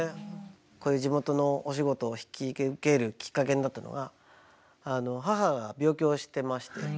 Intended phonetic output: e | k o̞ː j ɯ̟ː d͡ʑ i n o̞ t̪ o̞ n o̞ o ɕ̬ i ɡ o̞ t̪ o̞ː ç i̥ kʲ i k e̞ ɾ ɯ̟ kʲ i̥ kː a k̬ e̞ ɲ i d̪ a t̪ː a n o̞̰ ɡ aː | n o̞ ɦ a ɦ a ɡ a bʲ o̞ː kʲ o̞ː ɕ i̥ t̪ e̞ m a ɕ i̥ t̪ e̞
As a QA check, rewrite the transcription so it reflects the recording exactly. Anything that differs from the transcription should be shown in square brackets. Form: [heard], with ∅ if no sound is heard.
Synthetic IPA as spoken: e | k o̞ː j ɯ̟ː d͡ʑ i [m] o̞ t̪ o̞ n o̞ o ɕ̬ i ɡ o̞ t̪ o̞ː ç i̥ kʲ i k e̞ ɾ ɯ̟ kʲ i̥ kː a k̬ e̞ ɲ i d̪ a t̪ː a n o̞̰ ɡ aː | n o̞ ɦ a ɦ a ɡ a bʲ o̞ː kʲ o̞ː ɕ i̥ t̪ e̞ m a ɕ i̥ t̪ e̞